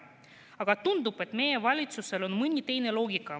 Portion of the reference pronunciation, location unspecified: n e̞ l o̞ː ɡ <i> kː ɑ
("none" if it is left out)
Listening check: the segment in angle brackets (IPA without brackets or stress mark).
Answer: i